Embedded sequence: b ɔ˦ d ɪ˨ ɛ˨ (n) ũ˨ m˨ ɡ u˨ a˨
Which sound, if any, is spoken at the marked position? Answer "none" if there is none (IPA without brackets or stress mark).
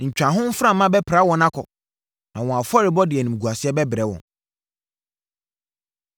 n